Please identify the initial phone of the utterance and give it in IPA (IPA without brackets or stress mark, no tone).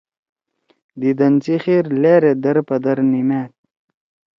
d̪